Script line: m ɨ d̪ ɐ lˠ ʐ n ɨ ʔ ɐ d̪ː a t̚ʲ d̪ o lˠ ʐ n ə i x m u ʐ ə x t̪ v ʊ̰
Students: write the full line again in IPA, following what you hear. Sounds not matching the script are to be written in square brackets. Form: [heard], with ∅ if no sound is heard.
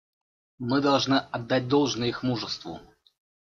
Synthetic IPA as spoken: m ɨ d̪ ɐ lˠ ʐ n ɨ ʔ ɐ d̪ː a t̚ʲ d̪ o lˠ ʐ n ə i x m u ʐ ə [s] t̪ v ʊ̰